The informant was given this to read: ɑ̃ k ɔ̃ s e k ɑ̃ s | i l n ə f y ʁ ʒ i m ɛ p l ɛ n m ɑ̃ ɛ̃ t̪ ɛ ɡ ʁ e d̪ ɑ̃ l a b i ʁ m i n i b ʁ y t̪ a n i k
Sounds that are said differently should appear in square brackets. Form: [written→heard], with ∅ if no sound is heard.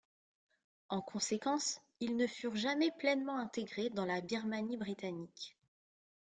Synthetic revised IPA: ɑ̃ k ɔ̃ s e k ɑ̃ s | i l n ə f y ʁ ʒ [i→a] m ɛ p l ɛ n m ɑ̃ ɛ̃ t̪ [ɛ→e] ɡ ʁ e d̪ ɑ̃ l a b i ʁ m [i→a] n i b ʁ [y→i] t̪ a n i k

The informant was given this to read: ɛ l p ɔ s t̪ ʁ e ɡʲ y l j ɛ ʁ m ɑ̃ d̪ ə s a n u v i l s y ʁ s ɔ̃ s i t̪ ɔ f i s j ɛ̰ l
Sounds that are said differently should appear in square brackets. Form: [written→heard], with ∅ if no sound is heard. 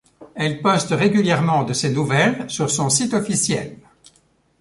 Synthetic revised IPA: ɛ l p ɔ s t̪ ʁ e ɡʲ y l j ɛ ʁ m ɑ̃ d̪ ə s [a→e] n u v [i→ɛ] l s y ʁ s ɔ̃ s i t̪ ɔ f i s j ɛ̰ l

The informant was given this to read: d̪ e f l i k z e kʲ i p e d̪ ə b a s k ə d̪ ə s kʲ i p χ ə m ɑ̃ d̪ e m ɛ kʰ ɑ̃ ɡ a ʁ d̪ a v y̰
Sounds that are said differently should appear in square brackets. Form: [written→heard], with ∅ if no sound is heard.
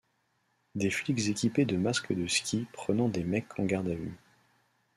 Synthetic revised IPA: d̪ e f l i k z e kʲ i p e d̪ ə [b→m] a s k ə d̪ ə s kʲ i p χ ə [m→n] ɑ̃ d̪ e m ɛ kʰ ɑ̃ ɡ a ʁ d̪ a v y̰

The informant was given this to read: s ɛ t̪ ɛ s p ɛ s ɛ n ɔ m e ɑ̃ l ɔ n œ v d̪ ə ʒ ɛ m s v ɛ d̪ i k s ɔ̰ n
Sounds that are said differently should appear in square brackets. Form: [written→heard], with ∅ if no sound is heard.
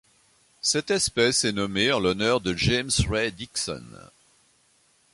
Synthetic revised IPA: s ɛ t̪ ɛ s p ɛ s ɛ n ɔ m e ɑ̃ l ɔ n œ [v→ʁ] d̪ ə ʒ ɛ m s [v→ʁ] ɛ d̪ i k s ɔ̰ n

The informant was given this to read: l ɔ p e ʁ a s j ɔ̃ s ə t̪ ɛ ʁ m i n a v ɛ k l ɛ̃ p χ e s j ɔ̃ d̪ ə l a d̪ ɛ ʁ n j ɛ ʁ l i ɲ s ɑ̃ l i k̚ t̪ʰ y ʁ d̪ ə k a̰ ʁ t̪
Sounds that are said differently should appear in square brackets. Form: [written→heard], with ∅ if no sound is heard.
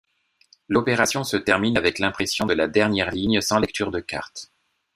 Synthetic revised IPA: l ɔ p e ʁ a s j ɔ̃ s ə t̪ ɛ ʁ m i n a v ɛ k l ɛ̃ p χ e s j ɔ̃ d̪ ə l a d̪ ɛ ʁ n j ɛ ʁ l i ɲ s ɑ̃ l [i→ɛ] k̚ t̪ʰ y ʁ d̪ ə k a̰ ʁ t̪

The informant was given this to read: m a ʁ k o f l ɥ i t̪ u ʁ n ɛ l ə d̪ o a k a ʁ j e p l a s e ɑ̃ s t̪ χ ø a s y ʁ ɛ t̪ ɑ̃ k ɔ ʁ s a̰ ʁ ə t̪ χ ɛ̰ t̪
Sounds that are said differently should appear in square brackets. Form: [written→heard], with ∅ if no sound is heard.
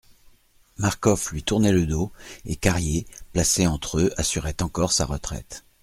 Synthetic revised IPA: m a ʁ k [o→ɔ] f l ɥ i t̪ u ʁ n ɛ l ə d̪ o [a→e] k a ʁ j e p l a s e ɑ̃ [s→∅] t̪ χ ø a s y ʁ ɛ t̪ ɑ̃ k ɔ ʁ s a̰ ʁ ə t̪ χ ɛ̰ t̪

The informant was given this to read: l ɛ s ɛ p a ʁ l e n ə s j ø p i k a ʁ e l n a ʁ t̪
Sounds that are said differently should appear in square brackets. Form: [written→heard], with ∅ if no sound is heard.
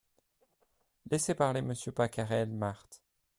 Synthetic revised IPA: l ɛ s [ɛ→e] p a ʁ l e [n→m] ə s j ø p [i→a] k a ʁ [e→ɛ] l [n→m] a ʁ t̪

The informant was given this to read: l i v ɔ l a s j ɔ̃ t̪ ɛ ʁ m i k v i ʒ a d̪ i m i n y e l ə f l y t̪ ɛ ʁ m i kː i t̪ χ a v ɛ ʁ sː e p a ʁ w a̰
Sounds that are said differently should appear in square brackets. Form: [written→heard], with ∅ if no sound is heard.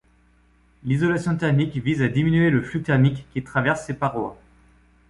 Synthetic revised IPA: l i [v→z] ɔ l a s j ɔ̃ t̪ ɛ ʁ m i k v i [ʒ→z] a d̪ i m i n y e l ə f l y t̪ ɛ ʁ m i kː i t̪ χ a v ɛ ʁ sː e p a ʁ w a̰

